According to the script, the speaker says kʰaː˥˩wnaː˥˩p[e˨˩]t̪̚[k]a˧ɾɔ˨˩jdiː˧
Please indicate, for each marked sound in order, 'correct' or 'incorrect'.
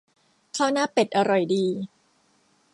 correct, incorrect: ʔ

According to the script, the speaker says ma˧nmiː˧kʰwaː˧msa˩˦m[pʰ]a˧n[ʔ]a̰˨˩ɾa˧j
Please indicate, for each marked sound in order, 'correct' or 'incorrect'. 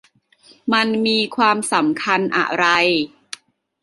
incorrect: kʰ, correct

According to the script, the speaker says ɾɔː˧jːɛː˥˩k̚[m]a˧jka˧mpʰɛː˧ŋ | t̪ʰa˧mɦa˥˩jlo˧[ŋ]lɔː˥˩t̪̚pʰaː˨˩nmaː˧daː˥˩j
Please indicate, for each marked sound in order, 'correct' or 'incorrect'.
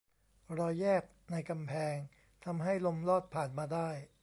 incorrect: n, incorrect: m

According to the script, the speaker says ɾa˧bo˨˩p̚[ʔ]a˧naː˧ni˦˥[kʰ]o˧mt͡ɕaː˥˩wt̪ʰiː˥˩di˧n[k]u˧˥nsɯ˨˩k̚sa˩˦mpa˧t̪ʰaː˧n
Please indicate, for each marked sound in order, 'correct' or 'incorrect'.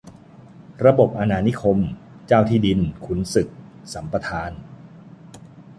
correct, correct, incorrect: kʰ

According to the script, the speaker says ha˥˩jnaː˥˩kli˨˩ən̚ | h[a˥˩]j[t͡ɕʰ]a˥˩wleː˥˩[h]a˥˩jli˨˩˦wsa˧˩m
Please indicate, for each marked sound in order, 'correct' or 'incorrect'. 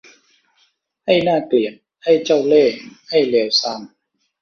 correct, incorrect: t͡ɕ, correct

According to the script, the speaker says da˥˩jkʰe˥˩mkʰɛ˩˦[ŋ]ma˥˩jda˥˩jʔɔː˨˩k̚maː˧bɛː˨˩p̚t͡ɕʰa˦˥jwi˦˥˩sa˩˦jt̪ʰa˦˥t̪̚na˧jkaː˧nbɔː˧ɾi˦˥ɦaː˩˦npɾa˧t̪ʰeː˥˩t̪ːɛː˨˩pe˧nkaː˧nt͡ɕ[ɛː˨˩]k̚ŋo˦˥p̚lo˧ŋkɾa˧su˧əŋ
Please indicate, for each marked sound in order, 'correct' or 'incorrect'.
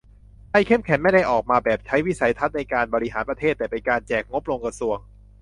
incorrect: n, correct

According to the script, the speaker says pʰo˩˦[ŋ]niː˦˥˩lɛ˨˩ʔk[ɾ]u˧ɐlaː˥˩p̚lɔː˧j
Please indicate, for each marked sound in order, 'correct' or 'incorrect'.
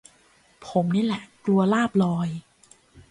incorrect: m, incorrect: l

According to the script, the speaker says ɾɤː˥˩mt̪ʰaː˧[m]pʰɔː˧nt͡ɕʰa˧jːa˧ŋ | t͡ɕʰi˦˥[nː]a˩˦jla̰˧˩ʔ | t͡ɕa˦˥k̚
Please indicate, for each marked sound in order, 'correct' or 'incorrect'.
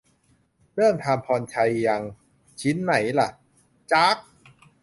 correct, correct

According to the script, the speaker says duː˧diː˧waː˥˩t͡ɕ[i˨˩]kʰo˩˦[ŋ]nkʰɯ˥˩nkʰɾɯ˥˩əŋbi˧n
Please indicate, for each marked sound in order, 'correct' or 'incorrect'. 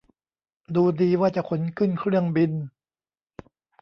incorrect: a˨˩, incorrect: none

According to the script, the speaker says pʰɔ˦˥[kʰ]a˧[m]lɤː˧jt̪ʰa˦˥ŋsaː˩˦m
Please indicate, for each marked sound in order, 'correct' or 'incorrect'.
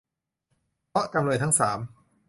incorrect: k, correct

